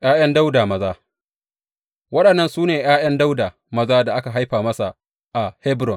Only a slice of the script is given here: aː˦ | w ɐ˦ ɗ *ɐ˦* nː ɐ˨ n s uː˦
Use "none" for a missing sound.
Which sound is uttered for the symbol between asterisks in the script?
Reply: ɐ˨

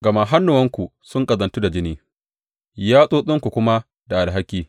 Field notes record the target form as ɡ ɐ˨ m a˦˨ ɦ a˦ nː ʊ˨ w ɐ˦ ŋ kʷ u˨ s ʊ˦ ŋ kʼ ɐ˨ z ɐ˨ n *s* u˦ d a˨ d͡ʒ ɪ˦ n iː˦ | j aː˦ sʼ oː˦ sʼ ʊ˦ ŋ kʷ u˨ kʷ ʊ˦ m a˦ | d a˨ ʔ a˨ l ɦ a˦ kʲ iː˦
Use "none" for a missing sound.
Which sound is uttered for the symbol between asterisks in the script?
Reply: t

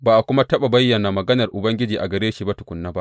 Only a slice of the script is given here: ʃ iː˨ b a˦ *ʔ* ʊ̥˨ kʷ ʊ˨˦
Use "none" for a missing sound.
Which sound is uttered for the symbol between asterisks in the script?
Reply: t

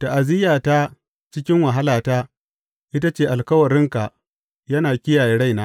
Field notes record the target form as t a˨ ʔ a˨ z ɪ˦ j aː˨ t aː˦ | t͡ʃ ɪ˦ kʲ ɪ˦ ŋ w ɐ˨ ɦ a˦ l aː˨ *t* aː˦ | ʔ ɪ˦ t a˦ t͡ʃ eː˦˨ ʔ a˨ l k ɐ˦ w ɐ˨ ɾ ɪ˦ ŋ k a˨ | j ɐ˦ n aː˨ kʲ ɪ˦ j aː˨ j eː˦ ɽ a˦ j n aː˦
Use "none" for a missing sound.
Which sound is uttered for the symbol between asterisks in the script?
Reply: t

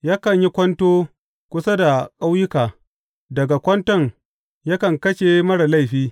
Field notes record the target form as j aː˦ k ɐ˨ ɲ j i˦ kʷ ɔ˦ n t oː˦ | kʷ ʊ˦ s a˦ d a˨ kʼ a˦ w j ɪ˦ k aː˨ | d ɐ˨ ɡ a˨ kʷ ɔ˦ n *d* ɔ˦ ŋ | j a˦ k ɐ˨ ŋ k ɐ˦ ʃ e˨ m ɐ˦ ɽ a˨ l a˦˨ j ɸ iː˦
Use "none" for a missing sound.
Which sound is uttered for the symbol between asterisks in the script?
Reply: t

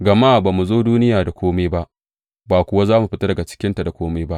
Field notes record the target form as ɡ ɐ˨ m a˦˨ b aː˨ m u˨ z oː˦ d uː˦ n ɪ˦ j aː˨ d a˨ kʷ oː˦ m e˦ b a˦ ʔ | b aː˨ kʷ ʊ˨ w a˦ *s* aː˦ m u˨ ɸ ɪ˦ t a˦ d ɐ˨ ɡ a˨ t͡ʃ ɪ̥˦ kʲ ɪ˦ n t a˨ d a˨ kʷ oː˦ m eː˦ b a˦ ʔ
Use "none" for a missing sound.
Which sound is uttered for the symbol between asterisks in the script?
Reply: z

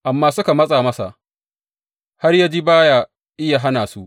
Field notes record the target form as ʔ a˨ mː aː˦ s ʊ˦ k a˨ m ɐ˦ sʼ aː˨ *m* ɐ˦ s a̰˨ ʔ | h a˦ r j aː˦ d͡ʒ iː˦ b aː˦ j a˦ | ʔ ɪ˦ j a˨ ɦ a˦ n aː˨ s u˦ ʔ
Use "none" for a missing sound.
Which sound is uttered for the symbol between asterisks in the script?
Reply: m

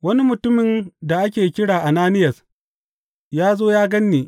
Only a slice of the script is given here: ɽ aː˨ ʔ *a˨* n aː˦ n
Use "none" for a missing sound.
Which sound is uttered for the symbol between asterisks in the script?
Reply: a˨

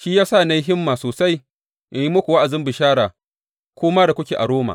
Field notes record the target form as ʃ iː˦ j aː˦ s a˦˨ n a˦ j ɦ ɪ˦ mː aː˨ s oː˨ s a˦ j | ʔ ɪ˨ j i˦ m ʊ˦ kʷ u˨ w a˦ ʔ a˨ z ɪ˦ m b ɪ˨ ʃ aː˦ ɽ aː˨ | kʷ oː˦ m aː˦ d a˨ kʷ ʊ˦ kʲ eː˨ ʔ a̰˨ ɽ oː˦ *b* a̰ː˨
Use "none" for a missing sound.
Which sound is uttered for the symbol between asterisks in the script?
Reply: m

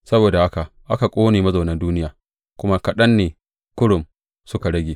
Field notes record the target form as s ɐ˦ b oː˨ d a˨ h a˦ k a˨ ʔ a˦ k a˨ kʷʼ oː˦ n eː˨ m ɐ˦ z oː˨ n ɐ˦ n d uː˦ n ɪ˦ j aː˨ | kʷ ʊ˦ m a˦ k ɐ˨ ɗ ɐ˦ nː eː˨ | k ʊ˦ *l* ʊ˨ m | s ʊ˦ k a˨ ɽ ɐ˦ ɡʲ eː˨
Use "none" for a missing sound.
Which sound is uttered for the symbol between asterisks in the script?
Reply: ɽ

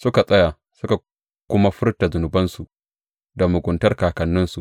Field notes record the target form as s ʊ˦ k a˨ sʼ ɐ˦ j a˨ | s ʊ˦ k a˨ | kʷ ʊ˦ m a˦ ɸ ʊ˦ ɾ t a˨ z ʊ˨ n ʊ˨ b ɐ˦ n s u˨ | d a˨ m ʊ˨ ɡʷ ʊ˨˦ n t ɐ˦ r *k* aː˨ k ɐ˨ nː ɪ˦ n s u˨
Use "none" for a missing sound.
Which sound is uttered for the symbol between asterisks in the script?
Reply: k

